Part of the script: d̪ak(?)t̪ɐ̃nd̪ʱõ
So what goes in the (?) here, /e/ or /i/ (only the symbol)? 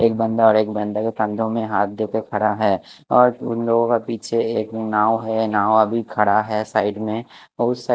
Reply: e